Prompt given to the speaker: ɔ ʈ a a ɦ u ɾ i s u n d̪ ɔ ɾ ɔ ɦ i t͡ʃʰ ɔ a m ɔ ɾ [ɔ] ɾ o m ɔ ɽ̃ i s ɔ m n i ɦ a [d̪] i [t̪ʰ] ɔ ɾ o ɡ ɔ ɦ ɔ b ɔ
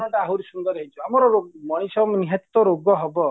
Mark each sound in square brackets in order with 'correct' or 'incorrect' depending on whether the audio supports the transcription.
correct, incorrect: t̪, incorrect: t̪

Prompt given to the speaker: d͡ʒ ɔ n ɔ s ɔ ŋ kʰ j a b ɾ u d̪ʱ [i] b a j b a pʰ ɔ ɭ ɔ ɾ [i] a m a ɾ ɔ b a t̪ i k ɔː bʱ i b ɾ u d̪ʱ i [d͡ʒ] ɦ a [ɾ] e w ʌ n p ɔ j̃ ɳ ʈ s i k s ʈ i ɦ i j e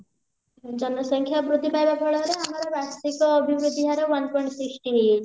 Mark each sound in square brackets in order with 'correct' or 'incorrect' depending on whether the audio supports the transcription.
correct, incorrect: e, incorrect: none, correct

